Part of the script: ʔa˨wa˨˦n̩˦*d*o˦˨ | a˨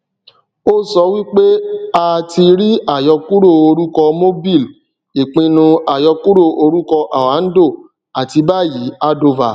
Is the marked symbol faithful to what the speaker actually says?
yes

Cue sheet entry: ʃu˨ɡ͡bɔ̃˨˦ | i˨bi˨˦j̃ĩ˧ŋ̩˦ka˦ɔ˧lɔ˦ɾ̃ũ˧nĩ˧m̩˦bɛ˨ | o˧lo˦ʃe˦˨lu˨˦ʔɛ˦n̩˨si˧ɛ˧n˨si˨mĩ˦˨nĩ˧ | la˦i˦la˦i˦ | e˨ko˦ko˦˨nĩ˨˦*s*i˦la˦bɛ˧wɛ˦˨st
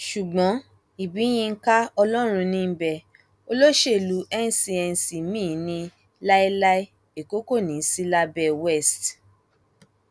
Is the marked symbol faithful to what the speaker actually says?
yes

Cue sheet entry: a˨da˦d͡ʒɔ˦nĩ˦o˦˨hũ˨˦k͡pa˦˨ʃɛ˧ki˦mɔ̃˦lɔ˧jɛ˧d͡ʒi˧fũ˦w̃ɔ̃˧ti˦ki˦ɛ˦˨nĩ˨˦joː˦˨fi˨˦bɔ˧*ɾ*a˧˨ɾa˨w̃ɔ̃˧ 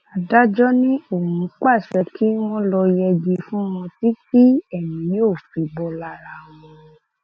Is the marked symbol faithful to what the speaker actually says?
no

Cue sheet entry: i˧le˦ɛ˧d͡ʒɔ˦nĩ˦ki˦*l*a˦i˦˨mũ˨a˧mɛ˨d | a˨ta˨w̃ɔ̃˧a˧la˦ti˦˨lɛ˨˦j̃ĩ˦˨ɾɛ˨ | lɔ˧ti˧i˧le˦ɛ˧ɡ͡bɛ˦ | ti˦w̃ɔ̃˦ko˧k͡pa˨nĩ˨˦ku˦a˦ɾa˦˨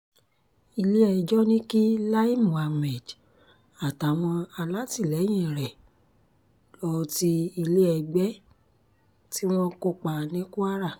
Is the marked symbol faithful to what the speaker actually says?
yes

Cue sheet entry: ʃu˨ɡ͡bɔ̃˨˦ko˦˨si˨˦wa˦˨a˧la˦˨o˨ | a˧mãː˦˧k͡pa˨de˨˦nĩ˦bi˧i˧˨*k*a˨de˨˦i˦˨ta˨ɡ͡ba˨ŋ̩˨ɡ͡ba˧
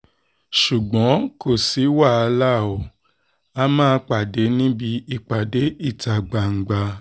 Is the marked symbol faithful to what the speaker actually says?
no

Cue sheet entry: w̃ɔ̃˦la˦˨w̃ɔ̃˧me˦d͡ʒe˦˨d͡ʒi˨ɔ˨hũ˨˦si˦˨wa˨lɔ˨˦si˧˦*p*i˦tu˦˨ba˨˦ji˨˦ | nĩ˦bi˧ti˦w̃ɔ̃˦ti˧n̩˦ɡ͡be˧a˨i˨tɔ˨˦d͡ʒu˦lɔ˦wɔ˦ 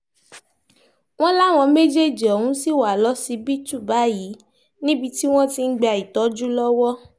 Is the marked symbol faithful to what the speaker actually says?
no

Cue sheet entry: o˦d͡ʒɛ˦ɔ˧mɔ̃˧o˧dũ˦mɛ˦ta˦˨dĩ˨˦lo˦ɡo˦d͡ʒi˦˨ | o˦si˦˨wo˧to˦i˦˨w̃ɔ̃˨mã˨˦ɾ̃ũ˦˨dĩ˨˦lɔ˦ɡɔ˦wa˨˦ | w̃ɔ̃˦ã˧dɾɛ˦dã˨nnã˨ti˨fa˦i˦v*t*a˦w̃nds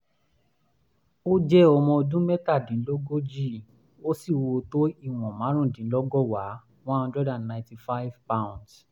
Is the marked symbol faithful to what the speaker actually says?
no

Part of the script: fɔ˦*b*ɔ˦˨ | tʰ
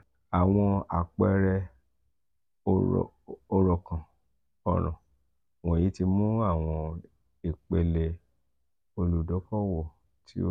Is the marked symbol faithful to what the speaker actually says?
no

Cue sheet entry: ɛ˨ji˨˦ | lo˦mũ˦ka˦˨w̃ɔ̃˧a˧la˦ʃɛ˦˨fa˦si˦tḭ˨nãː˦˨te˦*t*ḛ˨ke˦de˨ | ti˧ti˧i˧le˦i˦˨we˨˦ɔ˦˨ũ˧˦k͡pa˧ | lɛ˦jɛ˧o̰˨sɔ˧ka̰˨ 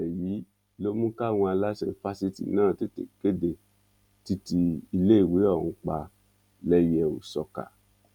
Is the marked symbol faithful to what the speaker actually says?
yes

